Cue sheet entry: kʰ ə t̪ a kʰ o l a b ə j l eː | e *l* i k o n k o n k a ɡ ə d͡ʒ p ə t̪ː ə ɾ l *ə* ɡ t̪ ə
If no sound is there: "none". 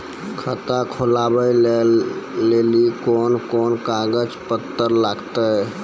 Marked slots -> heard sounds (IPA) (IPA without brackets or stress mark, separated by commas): l, a